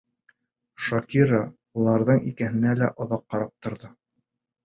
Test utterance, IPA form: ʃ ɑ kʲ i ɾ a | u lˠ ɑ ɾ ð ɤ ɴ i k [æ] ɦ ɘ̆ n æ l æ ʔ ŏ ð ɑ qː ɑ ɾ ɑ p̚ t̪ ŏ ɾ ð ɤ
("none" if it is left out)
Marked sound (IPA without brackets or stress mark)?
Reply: æ